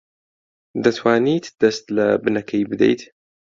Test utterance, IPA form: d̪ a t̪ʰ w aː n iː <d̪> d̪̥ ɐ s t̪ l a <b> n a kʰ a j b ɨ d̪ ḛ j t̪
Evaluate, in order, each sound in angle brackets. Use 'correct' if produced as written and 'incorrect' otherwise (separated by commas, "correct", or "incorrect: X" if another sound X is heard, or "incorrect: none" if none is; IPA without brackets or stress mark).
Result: incorrect: t̪, correct